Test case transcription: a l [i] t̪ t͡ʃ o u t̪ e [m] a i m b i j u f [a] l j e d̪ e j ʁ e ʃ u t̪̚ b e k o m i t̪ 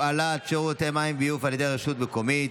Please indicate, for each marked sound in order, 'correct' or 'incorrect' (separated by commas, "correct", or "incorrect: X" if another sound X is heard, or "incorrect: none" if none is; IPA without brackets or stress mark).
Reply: incorrect: a, correct, correct